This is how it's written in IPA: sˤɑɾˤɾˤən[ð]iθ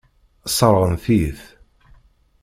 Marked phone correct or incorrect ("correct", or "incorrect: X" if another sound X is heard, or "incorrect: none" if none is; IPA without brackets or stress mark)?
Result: incorrect: θ